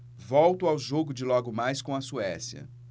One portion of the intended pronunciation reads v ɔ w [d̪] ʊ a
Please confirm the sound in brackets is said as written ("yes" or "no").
no